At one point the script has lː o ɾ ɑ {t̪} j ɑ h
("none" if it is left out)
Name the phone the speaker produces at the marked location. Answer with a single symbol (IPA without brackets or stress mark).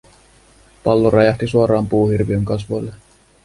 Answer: none